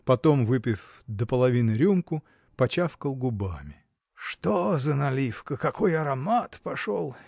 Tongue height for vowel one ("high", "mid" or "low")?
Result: low